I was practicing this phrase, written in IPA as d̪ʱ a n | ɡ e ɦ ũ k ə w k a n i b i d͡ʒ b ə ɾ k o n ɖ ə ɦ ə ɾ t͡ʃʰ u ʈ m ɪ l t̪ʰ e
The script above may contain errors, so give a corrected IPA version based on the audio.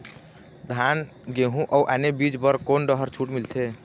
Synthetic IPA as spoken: d̪ʱ a n | ɡ e ɦ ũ ʔ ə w ʔ a n e b i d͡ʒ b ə ɾ k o n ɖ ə ɦ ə ɾ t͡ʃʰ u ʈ m i l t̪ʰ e